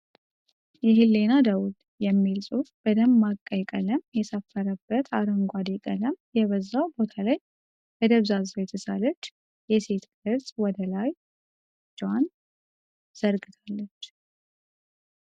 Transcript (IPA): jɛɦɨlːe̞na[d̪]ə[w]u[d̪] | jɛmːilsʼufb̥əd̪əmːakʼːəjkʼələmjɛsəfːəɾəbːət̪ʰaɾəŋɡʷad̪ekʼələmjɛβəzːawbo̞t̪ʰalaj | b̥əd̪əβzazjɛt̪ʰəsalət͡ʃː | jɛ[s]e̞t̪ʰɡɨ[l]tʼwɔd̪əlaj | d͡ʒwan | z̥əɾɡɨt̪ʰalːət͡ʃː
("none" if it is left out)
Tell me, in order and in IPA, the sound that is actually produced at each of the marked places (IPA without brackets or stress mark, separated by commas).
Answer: d̪, w, d̪, s, ɾ